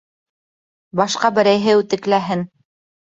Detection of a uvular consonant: present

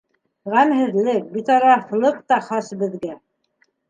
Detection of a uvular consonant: present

